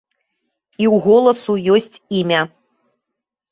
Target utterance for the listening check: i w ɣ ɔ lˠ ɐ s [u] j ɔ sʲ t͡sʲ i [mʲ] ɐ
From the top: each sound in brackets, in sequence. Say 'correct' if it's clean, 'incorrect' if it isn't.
correct, correct

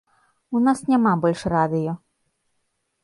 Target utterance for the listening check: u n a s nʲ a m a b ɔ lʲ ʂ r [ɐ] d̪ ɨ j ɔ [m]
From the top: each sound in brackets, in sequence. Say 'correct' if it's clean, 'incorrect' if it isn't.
incorrect: a, incorrect: none

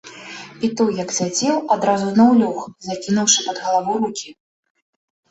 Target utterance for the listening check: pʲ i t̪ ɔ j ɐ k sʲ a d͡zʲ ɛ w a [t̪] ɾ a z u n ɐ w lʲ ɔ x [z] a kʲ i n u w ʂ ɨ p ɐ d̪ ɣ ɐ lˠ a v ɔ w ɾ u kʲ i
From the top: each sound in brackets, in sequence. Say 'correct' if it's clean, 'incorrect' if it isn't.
incorrect: d̪, correct

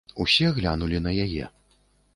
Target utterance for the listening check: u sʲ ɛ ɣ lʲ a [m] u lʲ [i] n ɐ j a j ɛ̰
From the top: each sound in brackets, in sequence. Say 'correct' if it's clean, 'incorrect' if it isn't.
incorrect: n, correct

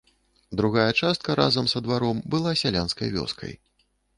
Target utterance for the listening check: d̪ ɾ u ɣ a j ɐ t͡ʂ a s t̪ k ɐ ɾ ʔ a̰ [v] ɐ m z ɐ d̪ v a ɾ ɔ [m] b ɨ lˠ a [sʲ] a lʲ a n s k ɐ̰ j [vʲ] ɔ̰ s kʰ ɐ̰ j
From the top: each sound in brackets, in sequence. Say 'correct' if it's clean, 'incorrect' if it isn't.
incorrect: z, correct, correct, correct

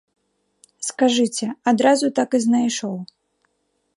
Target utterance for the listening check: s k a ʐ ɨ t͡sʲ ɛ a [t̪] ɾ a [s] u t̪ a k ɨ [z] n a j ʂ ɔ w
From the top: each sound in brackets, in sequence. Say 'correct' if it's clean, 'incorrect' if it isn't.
incorrect: d̪, incorrect: z, correct

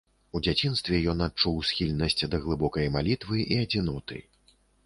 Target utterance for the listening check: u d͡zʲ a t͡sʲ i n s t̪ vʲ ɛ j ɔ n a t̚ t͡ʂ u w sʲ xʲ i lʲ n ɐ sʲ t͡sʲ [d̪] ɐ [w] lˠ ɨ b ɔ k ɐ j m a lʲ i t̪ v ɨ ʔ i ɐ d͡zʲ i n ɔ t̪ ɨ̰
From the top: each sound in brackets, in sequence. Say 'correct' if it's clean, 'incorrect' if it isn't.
correct, incorrect: ɣ

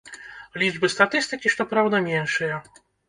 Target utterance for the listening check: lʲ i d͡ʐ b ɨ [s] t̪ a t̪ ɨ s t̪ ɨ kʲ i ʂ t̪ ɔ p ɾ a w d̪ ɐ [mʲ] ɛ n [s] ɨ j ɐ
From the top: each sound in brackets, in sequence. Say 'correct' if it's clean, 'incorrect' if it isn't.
correct, correct, incorrect: ʂ

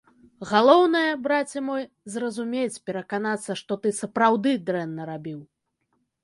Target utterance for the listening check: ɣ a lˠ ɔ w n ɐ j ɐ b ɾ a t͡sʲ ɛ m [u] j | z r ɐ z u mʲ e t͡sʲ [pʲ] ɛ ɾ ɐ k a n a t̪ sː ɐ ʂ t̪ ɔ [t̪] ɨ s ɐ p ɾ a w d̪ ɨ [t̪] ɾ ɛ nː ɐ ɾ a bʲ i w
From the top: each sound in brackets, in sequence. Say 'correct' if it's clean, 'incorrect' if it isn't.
incorrect: ɔ, correct, correct, incorrect: d̪

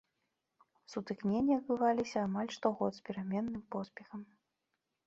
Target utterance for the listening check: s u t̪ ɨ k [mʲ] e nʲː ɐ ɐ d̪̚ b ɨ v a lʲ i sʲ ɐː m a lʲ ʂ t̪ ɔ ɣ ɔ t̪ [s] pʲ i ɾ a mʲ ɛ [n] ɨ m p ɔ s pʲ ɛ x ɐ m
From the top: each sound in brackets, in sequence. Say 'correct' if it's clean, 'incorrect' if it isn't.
incorrect: nʲ, correct, incorrect: nː

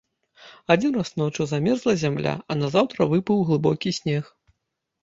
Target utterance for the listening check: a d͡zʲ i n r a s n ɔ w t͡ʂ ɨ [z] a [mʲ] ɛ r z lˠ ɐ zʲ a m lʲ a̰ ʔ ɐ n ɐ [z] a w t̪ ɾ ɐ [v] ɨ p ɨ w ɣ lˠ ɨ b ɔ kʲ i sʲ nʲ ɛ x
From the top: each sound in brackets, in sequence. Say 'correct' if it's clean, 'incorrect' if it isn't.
correct, correct, correct, correct

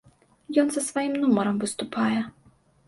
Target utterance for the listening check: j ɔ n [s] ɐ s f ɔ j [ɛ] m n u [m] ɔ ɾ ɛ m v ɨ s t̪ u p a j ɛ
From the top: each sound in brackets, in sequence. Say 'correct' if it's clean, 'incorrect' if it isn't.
incorrect: z, incorrect: i, correct

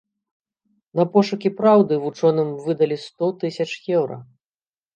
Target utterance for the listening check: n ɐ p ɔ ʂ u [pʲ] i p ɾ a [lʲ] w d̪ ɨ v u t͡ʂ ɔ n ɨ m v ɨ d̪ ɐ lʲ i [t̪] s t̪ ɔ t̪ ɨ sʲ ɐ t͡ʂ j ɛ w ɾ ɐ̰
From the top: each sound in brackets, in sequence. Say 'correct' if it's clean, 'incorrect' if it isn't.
incorrect: kʲ, incorrect: none, incorrect: none

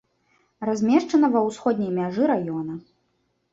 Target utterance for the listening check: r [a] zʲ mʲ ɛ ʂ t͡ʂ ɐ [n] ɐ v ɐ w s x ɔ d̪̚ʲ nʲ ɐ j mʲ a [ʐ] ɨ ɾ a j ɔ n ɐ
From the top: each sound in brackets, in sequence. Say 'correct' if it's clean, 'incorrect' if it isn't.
correct, correct, correct

